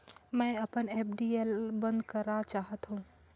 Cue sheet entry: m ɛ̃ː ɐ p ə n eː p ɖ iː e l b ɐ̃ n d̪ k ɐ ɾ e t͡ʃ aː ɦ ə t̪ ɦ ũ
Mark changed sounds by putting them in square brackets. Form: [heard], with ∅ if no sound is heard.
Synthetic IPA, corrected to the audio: m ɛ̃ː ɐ p ə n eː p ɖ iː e l b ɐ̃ n d̪ k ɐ ɾ [a] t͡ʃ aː ɦ ə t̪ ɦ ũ